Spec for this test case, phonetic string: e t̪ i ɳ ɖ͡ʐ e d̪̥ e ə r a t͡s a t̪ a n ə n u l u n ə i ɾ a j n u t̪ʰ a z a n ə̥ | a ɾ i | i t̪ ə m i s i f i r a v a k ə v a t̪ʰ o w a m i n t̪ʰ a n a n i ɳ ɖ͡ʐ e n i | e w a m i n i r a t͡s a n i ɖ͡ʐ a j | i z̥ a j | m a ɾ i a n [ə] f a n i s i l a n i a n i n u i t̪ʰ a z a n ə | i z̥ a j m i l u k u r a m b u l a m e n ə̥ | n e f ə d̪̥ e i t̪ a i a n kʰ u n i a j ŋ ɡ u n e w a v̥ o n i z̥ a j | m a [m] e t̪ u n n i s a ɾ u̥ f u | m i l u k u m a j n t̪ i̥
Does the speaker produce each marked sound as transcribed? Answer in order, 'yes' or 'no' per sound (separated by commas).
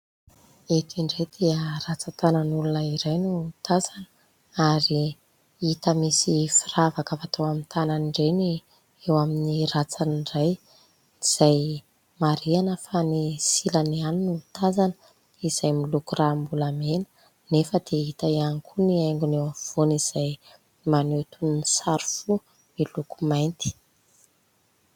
yes, no